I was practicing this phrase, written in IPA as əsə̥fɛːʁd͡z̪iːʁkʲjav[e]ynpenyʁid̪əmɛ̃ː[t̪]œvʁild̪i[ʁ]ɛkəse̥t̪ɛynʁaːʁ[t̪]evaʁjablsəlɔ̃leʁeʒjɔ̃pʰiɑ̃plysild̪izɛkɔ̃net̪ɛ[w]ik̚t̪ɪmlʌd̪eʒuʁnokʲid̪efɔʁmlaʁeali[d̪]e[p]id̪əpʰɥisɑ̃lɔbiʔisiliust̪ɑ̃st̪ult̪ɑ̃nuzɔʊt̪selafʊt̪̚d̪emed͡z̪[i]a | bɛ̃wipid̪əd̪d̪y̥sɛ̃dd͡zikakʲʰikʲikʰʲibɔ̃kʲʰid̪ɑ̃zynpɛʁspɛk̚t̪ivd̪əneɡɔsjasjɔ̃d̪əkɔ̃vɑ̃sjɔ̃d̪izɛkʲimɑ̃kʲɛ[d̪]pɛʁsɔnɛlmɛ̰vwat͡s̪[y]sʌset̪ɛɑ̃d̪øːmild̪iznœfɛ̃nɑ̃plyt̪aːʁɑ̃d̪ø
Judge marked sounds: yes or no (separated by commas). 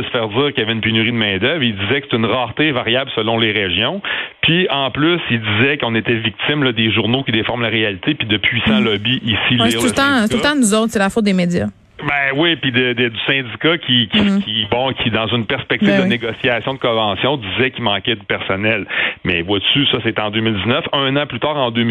no, no, no, yes, no, no, yes, no, yes, yes